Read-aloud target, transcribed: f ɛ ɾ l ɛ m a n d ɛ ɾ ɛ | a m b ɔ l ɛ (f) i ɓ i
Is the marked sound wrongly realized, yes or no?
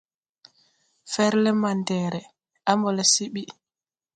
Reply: yes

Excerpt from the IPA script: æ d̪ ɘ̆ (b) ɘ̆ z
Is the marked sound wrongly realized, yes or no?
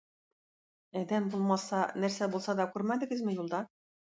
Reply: yes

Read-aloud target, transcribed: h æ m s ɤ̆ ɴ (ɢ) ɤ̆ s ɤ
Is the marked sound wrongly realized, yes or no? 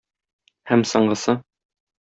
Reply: no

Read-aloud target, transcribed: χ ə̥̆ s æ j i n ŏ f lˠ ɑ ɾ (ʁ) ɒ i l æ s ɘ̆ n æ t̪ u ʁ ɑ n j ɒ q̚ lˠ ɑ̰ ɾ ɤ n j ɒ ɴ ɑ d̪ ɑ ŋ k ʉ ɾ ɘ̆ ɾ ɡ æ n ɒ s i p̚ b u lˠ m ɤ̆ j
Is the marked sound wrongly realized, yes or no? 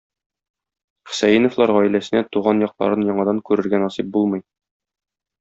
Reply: no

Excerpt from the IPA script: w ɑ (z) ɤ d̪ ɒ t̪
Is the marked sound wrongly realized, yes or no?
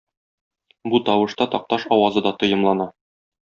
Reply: no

